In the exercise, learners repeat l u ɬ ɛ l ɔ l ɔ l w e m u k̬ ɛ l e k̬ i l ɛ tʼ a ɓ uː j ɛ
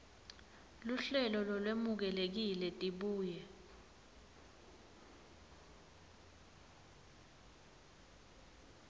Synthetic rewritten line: l u ɬ ɛ l ɔ l ɔ l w e m u k̬ ɛ l e k̬ i l ɛ tʼ i ɓ uː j ɛ